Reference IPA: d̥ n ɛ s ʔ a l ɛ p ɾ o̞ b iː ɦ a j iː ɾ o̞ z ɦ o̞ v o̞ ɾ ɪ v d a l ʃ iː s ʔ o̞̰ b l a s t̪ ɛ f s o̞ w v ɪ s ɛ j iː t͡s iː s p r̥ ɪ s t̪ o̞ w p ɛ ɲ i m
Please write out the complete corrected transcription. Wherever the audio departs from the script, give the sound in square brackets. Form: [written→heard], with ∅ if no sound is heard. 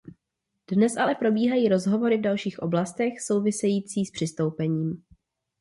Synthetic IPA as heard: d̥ n ɛ s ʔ a l ɛ p ɾ o̞ b iː ɦ a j iː ɾ o̞ z ɦ o̞ v o̞ ɾ ɪ v d a l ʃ iː [s→x] ʔ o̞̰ b l a s t̪ ɛ [f→x] s o̞ w v ɪ s ɛ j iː t͡s iː s p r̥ ɪ s t̪ o̞ w p ɛ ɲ [i→iː] m